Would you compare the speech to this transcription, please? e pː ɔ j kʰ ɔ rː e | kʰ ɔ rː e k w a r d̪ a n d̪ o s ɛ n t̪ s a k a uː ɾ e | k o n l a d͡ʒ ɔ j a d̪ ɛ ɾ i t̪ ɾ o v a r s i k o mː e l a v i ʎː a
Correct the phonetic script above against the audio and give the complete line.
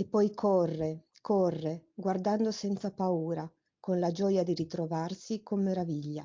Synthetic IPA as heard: e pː ɔ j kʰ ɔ rː e | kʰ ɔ rː e ɡ w a r d̪ a n d̪ o s ɛ n t̪ s a p a uː ɾ a | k o n l a d͡ʒ ɔ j a d̪ i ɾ i t̪ ɾ o v a r s i k o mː e ɾ a v i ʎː a